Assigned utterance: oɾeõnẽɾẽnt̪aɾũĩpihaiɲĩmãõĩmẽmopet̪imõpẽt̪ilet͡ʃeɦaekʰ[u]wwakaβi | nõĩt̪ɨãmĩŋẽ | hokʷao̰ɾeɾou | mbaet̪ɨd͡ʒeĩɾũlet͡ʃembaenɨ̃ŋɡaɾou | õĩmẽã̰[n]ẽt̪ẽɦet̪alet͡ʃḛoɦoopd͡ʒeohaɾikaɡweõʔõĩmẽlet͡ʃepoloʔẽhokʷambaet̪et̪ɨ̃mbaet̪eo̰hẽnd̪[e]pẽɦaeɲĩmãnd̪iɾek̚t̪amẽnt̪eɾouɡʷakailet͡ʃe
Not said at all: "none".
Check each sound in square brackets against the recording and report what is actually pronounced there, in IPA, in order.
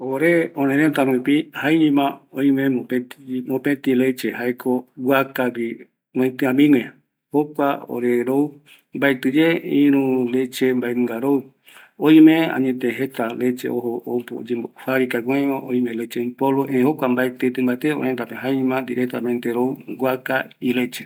o, ɲ, a

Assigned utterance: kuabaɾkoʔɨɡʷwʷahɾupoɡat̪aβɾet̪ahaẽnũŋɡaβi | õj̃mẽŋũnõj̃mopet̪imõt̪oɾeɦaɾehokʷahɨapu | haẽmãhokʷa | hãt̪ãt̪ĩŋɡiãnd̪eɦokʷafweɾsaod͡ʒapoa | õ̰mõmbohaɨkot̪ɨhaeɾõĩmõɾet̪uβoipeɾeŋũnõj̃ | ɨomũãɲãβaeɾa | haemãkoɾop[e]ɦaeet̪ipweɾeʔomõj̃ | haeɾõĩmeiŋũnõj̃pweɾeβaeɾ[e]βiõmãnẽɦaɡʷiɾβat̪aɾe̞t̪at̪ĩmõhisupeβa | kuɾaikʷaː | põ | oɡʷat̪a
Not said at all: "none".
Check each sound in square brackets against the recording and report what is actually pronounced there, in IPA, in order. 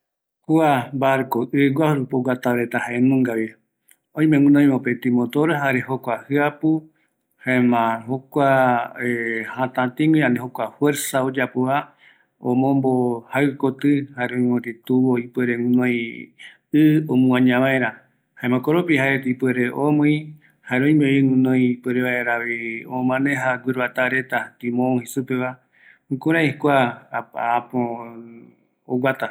i, a

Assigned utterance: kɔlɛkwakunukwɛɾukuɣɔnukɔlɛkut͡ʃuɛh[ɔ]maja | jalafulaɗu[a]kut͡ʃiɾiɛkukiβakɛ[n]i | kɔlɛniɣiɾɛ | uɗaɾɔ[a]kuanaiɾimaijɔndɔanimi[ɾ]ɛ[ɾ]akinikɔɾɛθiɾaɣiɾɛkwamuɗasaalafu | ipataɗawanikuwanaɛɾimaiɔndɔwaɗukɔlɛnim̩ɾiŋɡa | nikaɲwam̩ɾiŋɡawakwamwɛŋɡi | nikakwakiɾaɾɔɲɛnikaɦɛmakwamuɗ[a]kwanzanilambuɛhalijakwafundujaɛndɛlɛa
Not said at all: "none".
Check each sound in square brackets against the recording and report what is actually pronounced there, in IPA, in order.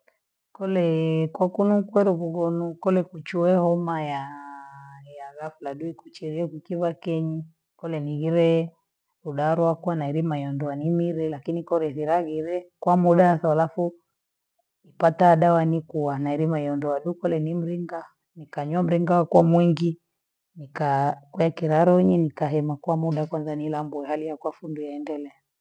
ɔ, i, ɲ, a, ɾ, l, a

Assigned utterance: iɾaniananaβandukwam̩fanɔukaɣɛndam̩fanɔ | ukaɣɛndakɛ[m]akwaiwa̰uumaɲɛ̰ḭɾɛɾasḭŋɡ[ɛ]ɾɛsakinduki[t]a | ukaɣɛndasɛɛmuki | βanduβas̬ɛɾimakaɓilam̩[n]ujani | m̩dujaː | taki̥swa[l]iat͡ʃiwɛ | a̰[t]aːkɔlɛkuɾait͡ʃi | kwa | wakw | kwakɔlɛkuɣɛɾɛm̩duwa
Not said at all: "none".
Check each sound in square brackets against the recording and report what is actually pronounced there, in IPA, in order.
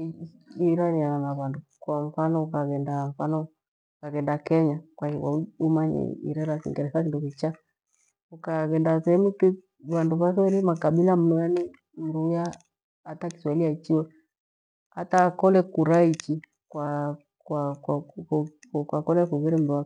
ɲ, ɛ, t͡ʃ, n, l, t

